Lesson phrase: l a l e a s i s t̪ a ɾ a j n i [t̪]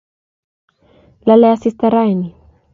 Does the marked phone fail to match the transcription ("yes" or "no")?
yes